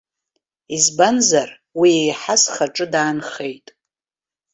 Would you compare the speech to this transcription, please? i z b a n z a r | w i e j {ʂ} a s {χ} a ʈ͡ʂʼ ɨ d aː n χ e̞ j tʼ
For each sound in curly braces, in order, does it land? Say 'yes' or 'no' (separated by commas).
no, yes